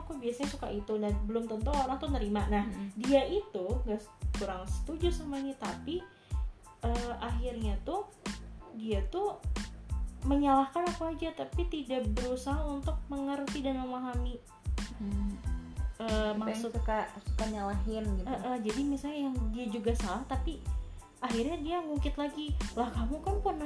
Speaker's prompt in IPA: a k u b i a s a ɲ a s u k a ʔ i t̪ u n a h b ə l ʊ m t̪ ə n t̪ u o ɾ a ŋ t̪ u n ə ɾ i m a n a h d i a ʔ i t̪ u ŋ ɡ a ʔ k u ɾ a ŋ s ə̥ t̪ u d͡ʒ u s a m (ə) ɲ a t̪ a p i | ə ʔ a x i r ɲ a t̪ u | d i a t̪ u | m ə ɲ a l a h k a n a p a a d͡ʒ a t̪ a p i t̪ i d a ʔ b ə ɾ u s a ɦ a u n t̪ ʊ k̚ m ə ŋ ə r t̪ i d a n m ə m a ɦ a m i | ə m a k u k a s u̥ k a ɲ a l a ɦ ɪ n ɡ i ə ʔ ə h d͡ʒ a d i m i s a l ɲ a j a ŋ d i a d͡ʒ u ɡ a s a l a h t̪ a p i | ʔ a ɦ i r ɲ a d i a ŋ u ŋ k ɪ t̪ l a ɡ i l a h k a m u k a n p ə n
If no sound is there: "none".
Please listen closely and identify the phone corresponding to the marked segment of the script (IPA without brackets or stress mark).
a